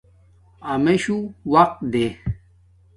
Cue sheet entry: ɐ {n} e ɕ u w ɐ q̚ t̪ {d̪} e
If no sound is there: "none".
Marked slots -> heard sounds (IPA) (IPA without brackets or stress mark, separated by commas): m, d̪